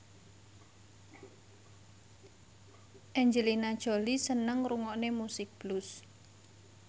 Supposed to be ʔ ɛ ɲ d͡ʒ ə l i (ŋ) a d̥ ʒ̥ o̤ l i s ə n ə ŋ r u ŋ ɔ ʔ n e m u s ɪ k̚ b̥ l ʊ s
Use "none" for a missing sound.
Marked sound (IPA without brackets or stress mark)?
n